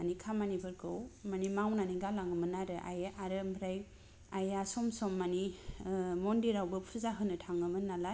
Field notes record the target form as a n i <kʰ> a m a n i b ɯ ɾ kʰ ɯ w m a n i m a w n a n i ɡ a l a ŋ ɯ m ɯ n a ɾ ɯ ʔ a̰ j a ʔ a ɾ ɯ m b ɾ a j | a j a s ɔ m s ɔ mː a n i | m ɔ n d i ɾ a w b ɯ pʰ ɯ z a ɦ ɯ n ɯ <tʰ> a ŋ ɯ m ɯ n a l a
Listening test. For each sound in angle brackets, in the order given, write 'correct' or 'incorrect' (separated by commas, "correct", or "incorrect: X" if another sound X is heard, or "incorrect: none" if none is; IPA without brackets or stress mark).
correct, correct